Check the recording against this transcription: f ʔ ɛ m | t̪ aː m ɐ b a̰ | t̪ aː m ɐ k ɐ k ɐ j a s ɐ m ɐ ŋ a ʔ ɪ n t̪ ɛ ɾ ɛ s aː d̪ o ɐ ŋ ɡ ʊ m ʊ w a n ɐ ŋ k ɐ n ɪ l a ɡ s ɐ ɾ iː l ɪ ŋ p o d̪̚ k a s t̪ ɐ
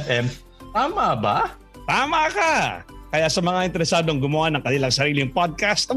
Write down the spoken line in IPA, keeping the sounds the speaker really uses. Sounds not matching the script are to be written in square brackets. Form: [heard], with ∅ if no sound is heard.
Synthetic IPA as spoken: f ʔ ɛ m | t̪ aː m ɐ b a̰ | t̪ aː m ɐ k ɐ k ɐ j a s ɐ m ɐ ŋ a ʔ ɪ n t̪ ɛ ɾ ɛ s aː d̪ o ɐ ŋ ɡ ʊ m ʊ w a n ɐ ŋ k ɐ n ɪ l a [ŋ] s ɐ ɾ iː l ɪ ŋ p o d̪̚ k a s t̪ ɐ